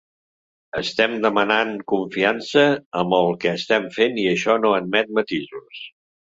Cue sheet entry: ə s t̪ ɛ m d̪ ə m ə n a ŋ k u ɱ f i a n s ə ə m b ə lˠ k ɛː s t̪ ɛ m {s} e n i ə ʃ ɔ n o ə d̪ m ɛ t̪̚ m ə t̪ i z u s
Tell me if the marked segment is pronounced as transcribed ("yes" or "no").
no